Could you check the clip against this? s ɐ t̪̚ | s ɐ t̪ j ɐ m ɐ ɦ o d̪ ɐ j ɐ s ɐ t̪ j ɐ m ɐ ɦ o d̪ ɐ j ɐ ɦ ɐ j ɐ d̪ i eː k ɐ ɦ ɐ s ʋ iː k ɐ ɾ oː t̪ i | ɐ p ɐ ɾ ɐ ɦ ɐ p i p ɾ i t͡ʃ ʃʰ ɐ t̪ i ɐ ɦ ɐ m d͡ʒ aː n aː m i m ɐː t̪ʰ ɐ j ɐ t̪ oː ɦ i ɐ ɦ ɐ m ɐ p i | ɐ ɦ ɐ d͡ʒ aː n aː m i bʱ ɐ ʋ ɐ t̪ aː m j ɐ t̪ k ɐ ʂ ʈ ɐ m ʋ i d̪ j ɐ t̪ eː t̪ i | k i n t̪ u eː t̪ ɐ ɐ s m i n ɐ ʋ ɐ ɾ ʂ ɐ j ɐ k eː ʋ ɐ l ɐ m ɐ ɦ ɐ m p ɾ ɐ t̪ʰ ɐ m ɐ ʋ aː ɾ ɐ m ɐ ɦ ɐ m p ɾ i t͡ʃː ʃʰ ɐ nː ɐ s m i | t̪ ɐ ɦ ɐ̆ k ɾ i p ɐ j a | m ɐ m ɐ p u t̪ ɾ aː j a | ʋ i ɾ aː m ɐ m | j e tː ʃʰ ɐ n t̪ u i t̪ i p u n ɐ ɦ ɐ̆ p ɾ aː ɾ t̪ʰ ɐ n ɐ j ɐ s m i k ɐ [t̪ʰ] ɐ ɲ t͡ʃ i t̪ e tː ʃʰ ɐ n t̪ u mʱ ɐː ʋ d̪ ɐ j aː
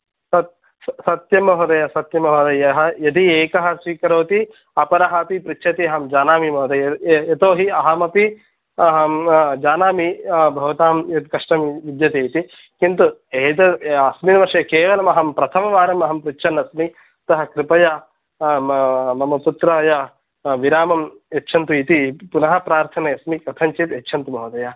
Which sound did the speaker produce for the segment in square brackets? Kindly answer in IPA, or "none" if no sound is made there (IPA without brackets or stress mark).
t̪ʰ